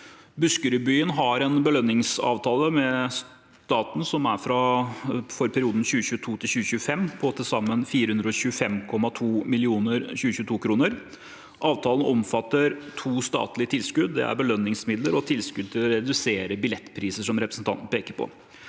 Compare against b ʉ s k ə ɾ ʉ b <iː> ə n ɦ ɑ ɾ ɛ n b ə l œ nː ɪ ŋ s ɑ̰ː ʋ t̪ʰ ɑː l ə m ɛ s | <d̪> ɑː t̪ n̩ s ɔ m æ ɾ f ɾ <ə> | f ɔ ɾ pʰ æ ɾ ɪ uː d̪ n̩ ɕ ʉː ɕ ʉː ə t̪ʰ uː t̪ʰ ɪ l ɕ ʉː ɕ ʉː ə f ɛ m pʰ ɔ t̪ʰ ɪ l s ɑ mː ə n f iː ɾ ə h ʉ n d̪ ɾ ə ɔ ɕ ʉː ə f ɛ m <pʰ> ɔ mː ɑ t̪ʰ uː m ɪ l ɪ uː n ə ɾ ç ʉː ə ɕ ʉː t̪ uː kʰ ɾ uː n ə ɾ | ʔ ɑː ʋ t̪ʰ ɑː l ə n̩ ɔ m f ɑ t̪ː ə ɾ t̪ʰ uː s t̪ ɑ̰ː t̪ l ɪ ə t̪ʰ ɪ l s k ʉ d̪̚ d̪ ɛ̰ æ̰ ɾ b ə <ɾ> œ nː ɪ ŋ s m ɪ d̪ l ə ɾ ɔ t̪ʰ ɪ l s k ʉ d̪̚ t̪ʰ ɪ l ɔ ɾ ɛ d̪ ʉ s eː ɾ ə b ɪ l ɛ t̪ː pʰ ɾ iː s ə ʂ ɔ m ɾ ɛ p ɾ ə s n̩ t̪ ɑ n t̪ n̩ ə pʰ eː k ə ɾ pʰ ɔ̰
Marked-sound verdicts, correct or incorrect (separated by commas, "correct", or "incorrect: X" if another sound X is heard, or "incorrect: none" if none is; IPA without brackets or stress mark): incorrect: yː, incorrect: t̪, incorrect: ɑ, incorrect: kʰ, incorrect: l